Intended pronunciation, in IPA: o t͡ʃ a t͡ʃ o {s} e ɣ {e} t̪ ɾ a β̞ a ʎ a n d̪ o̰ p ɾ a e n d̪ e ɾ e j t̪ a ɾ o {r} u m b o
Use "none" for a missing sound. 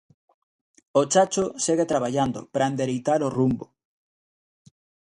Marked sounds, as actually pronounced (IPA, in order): s, e, r

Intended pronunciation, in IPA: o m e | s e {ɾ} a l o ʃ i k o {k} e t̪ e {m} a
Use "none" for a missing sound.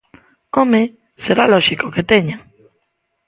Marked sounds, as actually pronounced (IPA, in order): ɾ, k, ɲ

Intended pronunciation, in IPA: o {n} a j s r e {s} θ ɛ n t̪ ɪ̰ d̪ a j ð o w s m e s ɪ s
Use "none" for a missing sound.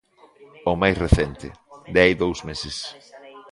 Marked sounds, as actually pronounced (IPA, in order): m, none

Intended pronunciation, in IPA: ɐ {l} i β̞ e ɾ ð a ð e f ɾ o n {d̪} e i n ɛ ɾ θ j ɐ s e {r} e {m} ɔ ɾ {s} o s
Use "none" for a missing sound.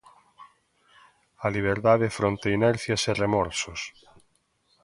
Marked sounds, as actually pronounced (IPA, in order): l, t̪, r, m, s

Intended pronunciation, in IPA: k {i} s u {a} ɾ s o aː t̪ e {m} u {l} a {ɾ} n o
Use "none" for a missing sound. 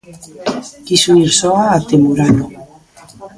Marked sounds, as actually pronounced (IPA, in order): i, i, m, ɾ, none

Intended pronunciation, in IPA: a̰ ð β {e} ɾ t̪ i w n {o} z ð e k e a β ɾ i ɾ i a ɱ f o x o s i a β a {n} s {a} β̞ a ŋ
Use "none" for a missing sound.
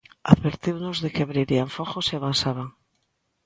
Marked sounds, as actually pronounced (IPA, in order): e, o, n, a

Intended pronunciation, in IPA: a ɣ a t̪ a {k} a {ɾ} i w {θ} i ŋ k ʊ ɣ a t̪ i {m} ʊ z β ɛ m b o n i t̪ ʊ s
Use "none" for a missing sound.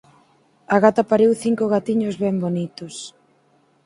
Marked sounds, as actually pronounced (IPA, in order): p, ɾ, θ, ɲ

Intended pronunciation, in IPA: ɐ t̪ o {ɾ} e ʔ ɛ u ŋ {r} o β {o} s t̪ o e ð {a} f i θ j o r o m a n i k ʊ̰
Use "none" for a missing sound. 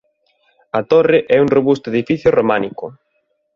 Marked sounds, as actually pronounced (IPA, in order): r, r, u, i

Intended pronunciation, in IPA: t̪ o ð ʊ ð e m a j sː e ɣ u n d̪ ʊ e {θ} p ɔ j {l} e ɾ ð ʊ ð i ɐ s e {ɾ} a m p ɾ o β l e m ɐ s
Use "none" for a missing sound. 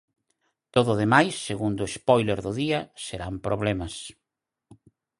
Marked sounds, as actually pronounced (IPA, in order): s, l, ɾ

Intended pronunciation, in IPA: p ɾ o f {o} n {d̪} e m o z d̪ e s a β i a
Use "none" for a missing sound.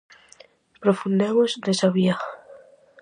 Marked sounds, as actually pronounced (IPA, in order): u, d̪

